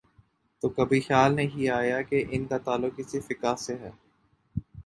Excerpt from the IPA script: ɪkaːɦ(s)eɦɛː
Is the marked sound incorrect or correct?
correct